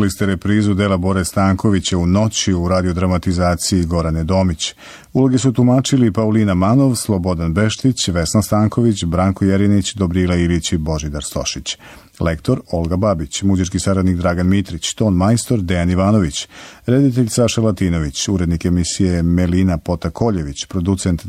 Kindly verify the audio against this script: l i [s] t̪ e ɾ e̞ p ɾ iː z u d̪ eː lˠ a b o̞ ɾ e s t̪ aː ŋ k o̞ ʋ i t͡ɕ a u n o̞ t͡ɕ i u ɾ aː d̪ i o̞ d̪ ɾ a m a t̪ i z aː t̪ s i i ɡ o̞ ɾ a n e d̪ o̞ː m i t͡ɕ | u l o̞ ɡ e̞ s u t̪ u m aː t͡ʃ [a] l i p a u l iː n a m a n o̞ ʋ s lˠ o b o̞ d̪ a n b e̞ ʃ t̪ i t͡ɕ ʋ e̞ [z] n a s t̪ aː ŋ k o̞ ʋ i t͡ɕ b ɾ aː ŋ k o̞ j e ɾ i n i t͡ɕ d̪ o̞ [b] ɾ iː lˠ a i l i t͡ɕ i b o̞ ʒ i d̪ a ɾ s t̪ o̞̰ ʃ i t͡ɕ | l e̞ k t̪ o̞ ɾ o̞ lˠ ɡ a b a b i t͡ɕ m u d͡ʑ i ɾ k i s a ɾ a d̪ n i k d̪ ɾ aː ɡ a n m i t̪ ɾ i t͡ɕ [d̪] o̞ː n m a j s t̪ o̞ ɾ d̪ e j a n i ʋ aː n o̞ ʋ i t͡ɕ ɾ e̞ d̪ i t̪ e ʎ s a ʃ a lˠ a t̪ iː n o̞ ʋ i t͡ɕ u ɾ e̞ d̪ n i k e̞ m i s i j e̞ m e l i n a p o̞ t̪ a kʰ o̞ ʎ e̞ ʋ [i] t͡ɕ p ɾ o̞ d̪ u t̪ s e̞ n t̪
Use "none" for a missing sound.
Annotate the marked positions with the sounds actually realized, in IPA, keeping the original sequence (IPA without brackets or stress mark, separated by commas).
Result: s, i, s, b, t̪, i